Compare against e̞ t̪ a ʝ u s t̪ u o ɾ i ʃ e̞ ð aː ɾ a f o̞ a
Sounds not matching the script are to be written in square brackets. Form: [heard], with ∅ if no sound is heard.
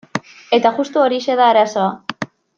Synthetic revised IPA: e̞ t̪ a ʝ u s t̪ u o ɾ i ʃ e̞ ð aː ɾ a [s] o̞ a